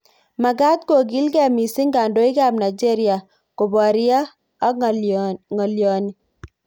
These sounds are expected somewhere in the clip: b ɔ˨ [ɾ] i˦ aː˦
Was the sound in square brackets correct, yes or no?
yes